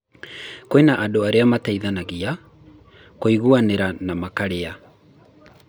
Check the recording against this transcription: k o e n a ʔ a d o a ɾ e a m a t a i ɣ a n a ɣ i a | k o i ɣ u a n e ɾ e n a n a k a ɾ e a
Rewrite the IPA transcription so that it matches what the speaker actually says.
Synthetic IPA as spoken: k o e n a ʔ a d o a ɾ e a m a t a i ð a n a ɣ i a | k o i ɣ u a n e ɾ a n a m a k a ɾ e a